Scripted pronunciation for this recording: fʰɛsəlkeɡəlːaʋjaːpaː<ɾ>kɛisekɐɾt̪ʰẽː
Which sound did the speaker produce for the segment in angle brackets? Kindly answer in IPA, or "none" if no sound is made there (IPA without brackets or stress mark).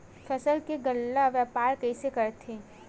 ɾ